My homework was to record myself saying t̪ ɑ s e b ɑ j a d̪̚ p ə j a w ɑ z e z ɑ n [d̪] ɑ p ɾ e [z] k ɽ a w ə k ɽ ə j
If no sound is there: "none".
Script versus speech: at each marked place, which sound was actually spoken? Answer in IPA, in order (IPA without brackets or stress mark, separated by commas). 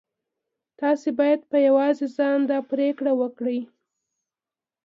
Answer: d̪, none